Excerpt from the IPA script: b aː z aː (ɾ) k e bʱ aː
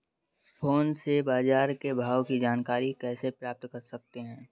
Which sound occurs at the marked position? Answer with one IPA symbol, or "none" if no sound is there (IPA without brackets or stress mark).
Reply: ɾ